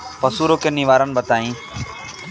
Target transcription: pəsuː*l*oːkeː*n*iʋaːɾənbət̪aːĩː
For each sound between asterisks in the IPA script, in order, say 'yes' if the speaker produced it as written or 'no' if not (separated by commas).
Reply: no, yes